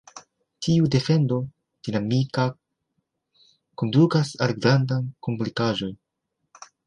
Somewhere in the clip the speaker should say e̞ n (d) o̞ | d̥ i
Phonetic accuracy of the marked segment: correct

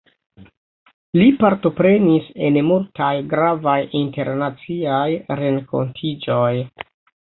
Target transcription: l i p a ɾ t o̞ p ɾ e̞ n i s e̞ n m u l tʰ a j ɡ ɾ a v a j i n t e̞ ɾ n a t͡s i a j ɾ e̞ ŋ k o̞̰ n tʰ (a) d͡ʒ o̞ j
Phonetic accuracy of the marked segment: incorrect: i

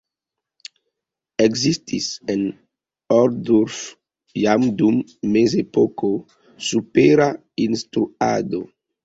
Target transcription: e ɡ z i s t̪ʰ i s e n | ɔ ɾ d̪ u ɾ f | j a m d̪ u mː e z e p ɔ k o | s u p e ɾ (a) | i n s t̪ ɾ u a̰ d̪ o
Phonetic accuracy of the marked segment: correct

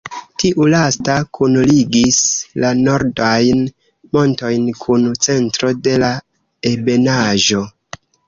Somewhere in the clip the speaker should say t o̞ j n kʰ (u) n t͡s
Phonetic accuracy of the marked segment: correct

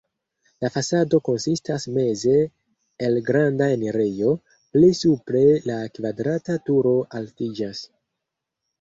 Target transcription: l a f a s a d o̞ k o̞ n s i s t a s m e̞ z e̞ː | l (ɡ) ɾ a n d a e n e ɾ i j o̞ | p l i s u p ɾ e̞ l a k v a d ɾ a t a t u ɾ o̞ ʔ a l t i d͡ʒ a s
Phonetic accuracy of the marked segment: correct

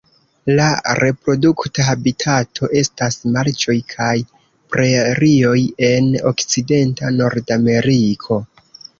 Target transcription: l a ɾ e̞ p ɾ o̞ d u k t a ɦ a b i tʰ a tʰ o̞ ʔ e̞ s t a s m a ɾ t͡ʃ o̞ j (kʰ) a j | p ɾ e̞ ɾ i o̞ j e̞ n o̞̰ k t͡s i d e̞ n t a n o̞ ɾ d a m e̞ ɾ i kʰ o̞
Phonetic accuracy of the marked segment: correct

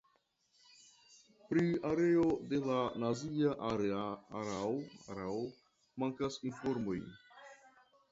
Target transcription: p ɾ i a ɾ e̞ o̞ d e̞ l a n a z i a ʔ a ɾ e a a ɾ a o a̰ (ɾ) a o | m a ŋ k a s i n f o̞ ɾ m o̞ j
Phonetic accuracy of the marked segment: correct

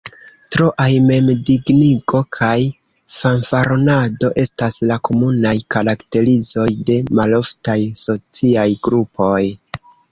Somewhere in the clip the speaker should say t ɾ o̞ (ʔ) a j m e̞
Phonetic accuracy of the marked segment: correct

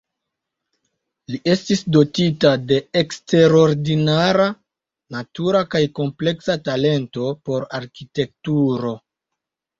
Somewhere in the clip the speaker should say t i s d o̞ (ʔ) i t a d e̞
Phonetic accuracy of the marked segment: incorrect: t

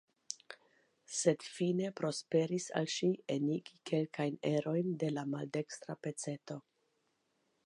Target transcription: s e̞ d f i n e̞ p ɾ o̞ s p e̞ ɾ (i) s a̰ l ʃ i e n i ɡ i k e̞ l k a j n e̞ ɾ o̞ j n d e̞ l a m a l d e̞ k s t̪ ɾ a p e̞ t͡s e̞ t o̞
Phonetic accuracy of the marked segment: correct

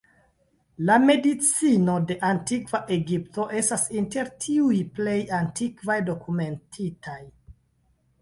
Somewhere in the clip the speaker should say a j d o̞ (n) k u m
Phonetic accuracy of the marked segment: incorrect: none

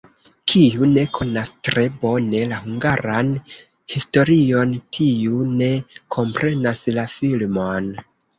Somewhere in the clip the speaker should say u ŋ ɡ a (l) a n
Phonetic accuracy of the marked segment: incorrect: ɾ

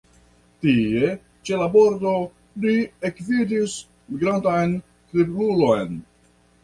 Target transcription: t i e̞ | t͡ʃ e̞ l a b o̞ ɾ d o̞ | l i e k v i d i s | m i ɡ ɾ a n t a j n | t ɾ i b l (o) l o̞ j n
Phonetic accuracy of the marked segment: incorrect: u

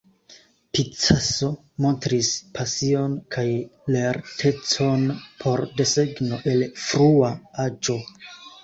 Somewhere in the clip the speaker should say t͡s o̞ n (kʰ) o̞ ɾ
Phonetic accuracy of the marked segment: incorrect: pʰ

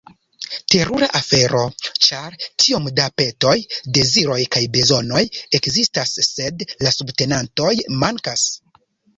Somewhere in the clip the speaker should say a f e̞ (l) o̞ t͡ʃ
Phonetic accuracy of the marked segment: incorrect: ɾ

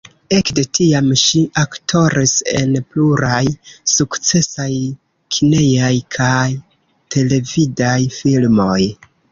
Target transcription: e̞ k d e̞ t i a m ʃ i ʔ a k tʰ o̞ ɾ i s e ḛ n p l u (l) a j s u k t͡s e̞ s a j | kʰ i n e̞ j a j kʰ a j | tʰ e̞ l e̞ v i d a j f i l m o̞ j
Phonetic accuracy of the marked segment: incorrect: ɾ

